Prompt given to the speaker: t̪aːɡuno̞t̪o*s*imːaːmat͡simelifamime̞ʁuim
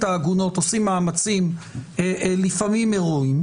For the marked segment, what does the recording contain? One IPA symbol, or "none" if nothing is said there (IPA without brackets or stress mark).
s